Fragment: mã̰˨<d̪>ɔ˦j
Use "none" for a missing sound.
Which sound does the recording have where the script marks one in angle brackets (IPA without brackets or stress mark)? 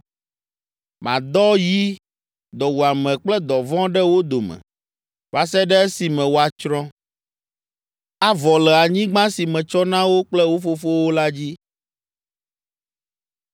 d̪